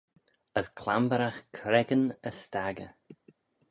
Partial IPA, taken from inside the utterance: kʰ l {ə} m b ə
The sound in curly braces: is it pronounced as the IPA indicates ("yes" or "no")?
no